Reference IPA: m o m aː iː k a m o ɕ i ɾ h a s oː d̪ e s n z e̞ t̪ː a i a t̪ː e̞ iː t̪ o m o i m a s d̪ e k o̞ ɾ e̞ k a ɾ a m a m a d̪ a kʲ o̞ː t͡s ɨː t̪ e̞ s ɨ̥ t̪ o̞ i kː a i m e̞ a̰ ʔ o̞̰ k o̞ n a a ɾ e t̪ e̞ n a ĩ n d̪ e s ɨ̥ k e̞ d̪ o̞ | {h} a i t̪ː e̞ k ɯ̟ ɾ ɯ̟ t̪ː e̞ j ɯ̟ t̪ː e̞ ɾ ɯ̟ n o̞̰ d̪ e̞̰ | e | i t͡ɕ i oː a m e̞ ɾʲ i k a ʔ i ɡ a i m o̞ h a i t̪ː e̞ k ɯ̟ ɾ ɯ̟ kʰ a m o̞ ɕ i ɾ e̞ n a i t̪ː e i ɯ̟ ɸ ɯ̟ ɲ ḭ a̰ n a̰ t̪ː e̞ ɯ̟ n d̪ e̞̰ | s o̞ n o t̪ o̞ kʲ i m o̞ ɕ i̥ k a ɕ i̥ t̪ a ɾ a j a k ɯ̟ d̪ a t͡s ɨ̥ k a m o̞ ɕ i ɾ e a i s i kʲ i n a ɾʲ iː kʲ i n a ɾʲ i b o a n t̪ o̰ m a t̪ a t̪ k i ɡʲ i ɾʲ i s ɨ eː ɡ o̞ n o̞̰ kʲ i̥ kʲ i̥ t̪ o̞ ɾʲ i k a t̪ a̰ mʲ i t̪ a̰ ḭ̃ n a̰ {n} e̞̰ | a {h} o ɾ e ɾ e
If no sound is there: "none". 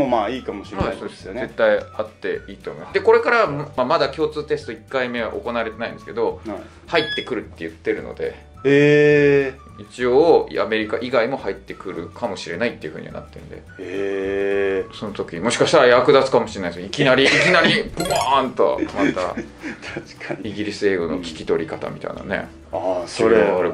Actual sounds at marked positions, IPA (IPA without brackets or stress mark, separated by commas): h, n, s